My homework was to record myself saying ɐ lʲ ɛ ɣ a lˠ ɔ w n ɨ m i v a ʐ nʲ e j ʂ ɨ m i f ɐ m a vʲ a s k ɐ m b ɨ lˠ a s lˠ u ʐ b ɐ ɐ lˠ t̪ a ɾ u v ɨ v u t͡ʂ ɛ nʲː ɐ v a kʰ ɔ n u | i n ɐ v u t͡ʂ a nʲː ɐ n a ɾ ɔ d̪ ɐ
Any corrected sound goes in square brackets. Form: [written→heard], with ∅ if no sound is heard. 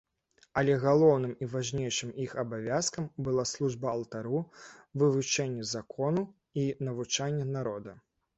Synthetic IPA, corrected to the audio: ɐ lʲ ɛ ɣ a lˠ ɔ w n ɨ m i v a ʐ nʲ e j ʂ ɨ m i [f→x] ɐ [m→b] a vʲ a s k ɐ m b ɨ lˠ a s lˠ u ʐ b ɐ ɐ lˠ t̪ a ɾ u v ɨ v u t͡ʂ ɛ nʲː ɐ [v→z] a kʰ ɔ n u | i n ɐ v u t͡ʂ a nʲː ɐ n a ɾ ɔ d̪ ɐ